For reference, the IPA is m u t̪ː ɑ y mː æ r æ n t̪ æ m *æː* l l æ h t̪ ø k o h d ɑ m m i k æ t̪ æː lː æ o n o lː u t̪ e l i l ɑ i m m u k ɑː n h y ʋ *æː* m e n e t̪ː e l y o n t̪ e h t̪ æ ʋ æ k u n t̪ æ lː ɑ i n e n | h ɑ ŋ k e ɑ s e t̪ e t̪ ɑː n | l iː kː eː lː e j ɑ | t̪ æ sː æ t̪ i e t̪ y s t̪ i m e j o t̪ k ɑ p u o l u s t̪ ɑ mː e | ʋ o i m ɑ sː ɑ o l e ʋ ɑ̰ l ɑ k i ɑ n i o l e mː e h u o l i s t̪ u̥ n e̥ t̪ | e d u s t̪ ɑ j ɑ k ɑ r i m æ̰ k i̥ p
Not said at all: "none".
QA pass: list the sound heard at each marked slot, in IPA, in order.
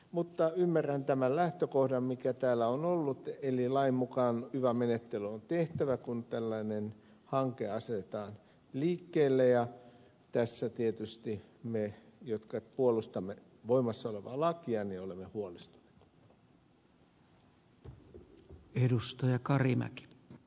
æ, æ

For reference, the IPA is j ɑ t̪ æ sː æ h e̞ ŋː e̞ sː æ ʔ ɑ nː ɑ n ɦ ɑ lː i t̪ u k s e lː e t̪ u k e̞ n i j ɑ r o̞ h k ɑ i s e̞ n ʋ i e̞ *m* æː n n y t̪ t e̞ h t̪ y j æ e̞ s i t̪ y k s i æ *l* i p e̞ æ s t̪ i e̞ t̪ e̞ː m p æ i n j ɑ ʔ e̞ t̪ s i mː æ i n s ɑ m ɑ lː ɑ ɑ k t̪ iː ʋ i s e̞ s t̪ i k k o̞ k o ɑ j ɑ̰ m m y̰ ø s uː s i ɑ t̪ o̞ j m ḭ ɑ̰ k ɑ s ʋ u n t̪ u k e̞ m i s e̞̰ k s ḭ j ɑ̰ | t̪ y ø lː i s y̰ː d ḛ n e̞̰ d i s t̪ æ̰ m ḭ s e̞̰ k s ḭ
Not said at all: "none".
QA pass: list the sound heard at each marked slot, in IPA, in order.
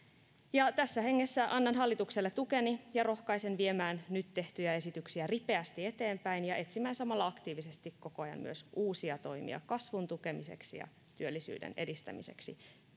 m, r

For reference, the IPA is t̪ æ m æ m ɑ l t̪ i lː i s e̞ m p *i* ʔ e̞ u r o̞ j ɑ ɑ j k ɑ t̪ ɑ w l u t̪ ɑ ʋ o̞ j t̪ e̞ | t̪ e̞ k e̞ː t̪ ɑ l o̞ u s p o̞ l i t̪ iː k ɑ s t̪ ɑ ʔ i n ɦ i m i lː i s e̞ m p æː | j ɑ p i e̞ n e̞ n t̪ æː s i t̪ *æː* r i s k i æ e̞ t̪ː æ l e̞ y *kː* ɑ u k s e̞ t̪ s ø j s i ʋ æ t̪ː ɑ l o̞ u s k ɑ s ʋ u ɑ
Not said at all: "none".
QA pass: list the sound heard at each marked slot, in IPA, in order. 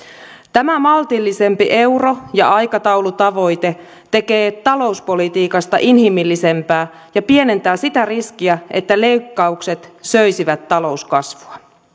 i, æ, kː

